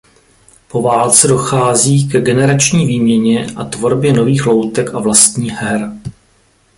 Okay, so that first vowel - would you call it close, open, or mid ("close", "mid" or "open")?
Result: mid